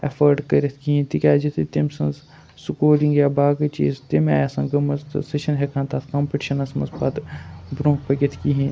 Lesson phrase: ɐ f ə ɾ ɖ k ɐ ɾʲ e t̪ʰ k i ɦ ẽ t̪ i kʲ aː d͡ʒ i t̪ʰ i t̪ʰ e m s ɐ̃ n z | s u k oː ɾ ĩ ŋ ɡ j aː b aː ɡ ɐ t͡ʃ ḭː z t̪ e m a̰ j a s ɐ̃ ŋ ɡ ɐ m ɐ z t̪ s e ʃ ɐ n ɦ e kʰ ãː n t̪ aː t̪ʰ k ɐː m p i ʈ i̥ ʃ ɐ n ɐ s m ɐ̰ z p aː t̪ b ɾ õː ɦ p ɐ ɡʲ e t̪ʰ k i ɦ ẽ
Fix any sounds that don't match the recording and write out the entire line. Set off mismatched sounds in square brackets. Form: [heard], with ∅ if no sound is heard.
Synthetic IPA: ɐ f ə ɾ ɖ k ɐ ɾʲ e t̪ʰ k i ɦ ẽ t̪ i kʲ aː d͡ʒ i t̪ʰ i [t̪] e m s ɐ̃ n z | s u k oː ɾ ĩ ŋ ɡ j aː b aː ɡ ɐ t͡ʃ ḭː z t̪ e m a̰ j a s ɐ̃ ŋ ɡ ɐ m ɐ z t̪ s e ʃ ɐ n ɦ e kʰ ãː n t̪ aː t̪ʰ k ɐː m p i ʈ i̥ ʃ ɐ n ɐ s m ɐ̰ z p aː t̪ b ɾ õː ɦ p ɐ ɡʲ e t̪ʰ k i ɦ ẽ